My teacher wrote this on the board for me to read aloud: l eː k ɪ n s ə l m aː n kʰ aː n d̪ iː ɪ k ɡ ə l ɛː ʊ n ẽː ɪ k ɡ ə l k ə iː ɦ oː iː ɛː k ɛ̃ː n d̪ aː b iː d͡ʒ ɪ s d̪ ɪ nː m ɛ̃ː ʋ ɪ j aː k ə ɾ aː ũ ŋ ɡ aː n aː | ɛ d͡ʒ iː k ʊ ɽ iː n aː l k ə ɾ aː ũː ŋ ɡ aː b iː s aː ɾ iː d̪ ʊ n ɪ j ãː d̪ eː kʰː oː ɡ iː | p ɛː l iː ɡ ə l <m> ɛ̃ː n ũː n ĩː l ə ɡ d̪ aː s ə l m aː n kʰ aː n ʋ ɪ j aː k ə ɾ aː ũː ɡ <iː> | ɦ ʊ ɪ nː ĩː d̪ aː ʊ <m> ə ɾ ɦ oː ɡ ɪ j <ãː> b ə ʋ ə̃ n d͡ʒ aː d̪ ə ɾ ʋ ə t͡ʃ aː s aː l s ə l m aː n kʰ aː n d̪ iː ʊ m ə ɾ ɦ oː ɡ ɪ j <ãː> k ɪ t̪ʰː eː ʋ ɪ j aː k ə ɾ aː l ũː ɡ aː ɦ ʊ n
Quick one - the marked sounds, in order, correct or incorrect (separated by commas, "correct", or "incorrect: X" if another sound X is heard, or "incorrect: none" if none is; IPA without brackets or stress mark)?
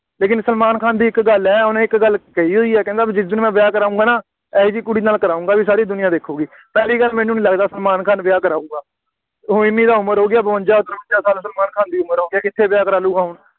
correct, incorrect: aː, correct, incorrect: aː, incorrect: aː